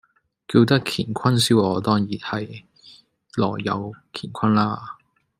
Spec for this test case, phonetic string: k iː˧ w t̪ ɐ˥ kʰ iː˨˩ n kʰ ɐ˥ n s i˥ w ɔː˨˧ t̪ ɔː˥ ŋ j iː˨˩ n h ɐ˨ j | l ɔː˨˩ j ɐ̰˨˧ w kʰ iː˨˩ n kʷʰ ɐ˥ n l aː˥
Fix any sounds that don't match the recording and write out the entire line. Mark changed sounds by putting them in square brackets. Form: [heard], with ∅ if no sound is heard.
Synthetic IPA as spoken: k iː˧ w t̪ ɐ˥ kʰ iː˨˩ n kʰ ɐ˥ n s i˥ w ɔː˨˧ t̪ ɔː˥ ŋ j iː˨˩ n h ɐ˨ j | l ɔː˨˩ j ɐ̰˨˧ w kʰ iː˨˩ n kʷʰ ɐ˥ n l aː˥